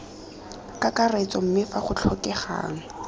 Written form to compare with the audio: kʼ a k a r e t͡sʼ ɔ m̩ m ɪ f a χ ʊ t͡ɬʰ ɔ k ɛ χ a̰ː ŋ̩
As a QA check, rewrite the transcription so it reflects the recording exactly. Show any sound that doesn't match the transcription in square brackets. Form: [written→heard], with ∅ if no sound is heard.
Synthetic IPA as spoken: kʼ a k a r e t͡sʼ ɔ m̩ m ɪ f a χ ʊ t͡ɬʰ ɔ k ɛ χ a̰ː ŋ̩